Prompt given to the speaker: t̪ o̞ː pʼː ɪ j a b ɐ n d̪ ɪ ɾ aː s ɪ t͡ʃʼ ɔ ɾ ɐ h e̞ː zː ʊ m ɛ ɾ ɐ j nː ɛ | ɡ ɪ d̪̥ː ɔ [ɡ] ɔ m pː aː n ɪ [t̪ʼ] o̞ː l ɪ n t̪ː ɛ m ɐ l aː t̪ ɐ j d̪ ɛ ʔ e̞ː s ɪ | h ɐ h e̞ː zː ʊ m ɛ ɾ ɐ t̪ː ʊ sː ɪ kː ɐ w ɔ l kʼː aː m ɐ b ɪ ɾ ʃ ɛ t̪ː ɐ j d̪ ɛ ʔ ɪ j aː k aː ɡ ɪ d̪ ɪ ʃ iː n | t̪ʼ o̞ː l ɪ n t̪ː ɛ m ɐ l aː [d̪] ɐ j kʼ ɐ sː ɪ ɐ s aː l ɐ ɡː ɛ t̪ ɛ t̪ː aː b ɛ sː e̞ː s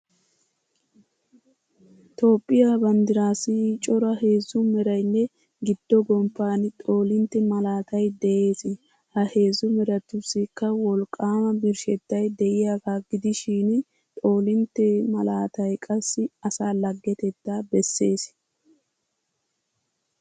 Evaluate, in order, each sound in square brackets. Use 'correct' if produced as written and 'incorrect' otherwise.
correct, correct, incorrect

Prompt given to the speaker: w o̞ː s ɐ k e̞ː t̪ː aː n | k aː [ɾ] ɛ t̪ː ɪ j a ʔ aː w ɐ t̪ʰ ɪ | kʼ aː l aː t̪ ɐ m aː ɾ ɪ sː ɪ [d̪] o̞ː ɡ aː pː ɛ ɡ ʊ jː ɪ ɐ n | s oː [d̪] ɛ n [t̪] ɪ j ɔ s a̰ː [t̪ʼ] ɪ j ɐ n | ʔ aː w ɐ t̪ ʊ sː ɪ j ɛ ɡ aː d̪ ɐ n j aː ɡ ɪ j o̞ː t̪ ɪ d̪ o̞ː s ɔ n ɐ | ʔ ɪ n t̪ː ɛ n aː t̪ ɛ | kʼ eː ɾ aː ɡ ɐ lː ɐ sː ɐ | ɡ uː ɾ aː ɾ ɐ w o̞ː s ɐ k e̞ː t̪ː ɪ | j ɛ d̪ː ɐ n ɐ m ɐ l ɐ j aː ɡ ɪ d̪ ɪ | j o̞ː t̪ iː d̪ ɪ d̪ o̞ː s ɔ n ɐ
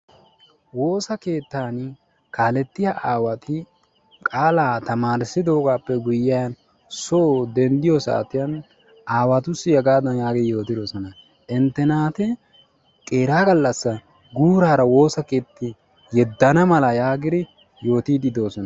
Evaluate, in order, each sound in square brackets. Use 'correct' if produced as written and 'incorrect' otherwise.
incorrect, correct, correct, incorrect, incorrect

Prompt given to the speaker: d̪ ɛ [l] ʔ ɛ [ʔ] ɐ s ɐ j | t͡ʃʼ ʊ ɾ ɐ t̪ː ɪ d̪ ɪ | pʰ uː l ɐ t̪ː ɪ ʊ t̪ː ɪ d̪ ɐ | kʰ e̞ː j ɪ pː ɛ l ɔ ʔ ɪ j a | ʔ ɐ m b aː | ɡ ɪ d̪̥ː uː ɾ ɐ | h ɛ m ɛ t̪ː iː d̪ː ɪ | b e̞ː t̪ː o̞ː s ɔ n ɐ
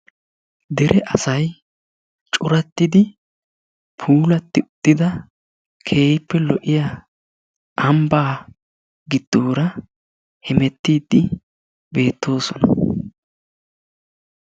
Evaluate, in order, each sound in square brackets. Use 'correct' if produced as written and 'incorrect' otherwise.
incorrect, correct

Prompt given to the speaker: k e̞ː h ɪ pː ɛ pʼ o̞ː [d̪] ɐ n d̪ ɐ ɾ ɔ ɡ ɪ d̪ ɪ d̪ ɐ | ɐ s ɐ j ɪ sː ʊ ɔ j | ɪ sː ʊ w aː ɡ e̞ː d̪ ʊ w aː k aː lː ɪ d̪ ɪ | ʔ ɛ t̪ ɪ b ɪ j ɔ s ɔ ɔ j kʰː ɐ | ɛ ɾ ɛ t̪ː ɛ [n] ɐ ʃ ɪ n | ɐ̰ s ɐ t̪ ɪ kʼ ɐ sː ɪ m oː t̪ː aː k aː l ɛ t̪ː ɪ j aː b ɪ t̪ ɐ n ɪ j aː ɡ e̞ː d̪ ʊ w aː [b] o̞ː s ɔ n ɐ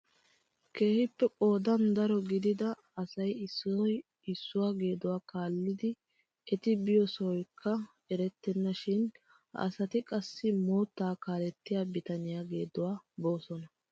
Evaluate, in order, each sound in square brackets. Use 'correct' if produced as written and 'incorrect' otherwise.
correct, incorrect, correct

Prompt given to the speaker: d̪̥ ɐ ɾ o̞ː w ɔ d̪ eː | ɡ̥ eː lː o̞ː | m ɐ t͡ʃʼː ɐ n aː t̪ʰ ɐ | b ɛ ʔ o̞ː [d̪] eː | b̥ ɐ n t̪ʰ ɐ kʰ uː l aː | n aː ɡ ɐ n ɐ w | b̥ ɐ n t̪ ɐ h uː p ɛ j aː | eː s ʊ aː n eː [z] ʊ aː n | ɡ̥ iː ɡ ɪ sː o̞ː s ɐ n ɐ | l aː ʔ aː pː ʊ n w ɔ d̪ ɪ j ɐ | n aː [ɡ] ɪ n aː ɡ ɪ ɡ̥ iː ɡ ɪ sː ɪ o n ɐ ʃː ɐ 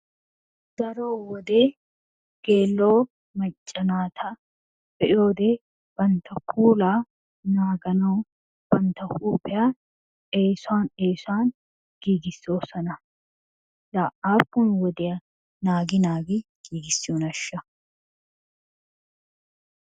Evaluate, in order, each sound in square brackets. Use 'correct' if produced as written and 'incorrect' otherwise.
correct, incorrect, correct

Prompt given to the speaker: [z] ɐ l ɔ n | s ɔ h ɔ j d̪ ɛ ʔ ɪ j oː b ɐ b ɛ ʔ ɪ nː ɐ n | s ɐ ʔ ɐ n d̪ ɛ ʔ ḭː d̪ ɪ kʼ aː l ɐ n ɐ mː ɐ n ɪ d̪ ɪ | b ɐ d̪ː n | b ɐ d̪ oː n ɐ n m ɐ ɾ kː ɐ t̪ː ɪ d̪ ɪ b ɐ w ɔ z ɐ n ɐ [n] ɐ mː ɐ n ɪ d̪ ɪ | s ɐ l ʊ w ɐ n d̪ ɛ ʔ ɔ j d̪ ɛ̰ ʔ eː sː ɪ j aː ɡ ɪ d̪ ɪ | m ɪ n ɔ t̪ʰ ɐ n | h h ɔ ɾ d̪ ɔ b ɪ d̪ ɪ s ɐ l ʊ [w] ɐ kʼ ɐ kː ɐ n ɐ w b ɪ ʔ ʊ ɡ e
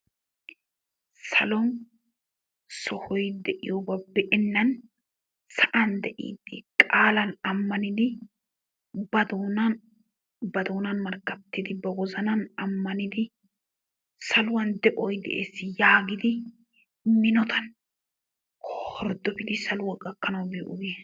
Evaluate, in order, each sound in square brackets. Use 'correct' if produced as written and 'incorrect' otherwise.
incorrect, correct, correct

